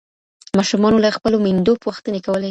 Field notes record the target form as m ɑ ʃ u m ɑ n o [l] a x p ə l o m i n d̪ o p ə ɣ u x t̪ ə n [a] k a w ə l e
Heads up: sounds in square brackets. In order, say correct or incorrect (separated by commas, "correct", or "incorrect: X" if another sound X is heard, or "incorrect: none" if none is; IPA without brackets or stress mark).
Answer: correct, incorrect: e